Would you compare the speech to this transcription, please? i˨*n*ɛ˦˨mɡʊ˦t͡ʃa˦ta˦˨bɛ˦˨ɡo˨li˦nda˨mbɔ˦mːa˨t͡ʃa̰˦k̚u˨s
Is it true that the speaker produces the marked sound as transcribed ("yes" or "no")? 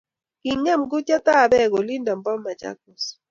no